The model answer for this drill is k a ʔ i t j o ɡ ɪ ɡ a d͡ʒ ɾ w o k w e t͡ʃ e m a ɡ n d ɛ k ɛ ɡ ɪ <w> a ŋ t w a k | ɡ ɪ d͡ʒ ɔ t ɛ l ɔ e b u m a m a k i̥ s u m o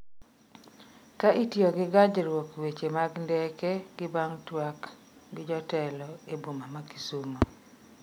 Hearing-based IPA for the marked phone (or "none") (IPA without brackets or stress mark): b